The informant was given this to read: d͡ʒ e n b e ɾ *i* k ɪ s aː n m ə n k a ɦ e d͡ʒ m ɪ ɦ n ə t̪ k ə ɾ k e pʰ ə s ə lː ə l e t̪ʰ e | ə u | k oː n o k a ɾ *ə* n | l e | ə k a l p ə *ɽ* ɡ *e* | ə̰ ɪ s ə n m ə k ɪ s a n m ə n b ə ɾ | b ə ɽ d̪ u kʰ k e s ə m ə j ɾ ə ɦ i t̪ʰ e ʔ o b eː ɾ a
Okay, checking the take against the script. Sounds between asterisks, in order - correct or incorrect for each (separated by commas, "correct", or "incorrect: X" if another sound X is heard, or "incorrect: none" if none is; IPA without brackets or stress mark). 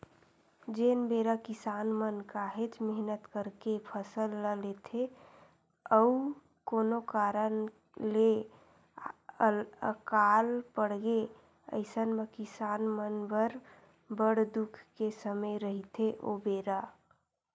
incorrect: a, correct, correct, correct